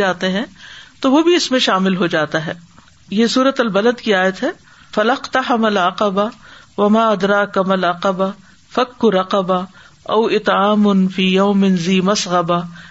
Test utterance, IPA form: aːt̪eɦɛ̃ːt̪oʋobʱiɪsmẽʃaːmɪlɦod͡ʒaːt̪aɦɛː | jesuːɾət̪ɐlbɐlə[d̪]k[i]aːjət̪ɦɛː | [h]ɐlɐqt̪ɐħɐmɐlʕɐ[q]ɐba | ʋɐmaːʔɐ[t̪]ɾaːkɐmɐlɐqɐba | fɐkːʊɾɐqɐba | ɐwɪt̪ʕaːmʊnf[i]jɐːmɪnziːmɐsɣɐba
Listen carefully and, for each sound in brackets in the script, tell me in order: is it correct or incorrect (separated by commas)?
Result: correct, correct, incorrect, correct, incorrect, incorrect